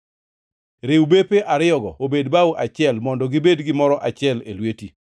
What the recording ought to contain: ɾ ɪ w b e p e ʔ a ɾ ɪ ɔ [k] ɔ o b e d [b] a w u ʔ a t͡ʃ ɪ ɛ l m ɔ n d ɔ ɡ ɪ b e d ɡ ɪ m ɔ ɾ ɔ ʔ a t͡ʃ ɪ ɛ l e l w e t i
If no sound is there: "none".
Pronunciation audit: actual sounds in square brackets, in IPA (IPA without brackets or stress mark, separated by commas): ɡ, b